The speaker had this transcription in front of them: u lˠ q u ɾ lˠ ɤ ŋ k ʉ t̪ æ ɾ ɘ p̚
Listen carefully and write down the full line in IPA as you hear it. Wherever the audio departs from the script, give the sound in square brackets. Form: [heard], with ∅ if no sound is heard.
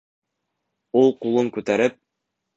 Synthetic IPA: u lˠ q u [∅] lˠ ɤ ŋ k ʉ t̪ æ ɾ ɘ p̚